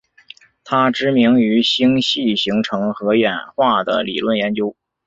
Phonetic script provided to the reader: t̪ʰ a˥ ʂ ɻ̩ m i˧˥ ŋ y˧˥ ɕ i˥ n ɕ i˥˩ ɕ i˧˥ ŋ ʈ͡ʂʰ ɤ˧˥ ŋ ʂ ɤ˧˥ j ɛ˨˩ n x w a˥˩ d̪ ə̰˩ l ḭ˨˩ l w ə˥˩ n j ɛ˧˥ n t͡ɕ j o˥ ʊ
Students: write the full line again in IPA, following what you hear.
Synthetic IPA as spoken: t̪ʰ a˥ ʈ͡ʂ ɻ̩ m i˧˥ ŋ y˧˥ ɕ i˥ ŋ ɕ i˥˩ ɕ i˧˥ ŋ ʈ͡ʂʰ ɤ˧˥ ŋ x ɤ˧˥ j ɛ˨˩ n x w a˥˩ d̪ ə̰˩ l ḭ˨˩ l w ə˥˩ n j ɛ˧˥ n t͡ɕ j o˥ ʊ